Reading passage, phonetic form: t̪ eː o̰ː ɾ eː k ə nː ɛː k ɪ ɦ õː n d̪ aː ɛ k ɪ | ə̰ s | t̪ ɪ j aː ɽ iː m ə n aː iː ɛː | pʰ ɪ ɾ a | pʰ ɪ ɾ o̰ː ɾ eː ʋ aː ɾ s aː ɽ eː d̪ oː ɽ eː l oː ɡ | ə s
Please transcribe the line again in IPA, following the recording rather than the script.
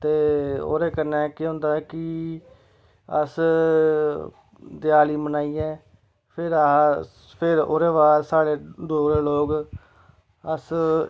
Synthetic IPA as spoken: t̪ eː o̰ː ɾ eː k ə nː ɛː k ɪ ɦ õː n d̪ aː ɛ k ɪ | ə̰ s | d̪ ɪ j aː l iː m ə n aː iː ɛː | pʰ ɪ ɾ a | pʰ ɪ ɾ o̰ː ɾ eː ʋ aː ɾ s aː ɽ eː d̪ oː ɾ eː l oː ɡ | ə s